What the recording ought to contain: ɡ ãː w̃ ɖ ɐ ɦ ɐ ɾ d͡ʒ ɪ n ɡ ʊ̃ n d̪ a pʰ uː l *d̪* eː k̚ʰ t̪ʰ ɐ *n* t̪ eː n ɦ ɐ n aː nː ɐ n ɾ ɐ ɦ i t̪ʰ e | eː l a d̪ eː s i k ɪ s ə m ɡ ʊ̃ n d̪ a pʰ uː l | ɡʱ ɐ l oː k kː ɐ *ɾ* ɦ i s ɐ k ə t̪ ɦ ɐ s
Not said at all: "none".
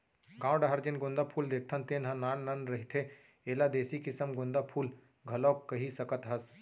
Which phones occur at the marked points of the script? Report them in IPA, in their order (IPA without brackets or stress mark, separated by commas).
d̪, n, none